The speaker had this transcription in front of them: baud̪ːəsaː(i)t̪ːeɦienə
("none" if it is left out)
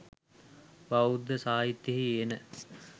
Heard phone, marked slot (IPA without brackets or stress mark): i